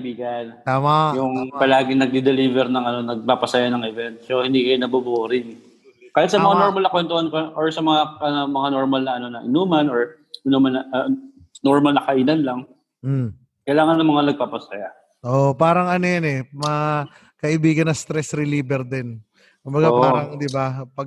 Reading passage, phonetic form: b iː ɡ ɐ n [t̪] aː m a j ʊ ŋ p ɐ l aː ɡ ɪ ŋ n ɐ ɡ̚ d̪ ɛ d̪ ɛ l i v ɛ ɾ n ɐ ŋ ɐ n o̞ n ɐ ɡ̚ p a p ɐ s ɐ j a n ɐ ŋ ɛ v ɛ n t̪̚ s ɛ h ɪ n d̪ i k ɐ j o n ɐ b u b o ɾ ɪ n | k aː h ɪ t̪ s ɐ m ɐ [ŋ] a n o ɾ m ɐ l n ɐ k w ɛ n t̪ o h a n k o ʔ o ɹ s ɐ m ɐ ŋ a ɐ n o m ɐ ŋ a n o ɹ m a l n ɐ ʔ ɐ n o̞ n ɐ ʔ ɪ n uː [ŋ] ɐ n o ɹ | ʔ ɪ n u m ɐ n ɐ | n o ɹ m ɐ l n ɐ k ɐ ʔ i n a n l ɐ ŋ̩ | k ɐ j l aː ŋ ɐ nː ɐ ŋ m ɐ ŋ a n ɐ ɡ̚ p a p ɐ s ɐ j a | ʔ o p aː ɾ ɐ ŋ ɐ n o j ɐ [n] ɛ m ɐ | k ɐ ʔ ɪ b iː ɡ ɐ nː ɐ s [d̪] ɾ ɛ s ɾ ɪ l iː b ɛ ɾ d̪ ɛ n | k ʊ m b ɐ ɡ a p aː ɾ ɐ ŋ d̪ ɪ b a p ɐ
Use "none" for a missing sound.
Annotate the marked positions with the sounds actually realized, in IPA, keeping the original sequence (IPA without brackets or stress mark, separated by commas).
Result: t̪, ŋ, m, n, t̪